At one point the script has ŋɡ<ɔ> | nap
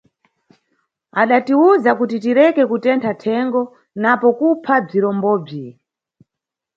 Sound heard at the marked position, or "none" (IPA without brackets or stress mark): ɔ